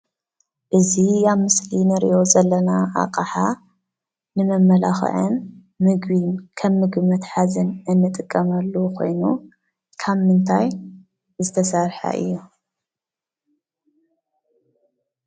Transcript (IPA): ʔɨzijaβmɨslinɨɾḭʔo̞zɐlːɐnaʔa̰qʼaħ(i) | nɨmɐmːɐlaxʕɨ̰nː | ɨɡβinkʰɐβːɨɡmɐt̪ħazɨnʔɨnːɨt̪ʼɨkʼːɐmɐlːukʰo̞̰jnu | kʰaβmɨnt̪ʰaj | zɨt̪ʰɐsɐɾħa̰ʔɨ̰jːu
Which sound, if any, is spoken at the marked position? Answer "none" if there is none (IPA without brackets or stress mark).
a